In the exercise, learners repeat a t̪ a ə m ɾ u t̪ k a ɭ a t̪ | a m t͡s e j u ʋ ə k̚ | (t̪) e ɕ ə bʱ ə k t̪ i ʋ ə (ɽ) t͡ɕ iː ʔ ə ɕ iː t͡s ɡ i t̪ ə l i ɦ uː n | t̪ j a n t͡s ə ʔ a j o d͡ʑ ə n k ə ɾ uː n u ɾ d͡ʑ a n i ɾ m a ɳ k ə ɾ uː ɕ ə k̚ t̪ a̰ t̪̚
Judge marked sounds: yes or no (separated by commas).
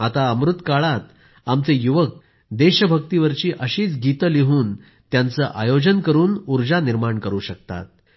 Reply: no, no